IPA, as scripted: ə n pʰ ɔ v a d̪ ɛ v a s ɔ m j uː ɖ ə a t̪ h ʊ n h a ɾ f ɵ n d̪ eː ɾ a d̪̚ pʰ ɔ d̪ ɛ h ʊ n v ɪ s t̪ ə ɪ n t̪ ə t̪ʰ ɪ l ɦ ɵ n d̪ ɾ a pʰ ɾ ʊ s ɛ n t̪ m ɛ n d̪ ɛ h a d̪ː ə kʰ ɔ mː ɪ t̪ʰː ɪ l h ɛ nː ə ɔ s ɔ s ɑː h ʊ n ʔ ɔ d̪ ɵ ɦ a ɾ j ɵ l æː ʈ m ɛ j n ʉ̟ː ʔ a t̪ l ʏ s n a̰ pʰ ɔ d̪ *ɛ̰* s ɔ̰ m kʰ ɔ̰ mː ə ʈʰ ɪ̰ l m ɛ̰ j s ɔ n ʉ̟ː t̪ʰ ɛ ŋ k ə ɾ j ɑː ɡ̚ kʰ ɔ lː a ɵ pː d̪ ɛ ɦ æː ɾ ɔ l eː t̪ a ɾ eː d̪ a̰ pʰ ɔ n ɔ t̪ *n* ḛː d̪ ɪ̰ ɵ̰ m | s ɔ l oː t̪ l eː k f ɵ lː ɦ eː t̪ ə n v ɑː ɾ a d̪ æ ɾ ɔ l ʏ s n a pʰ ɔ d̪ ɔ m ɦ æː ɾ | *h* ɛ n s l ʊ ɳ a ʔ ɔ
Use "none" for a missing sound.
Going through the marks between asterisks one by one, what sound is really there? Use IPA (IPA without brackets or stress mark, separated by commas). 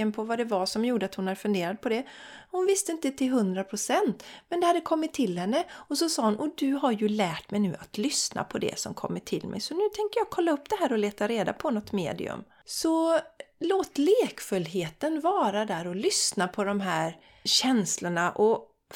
ɛ̰, m, ɕ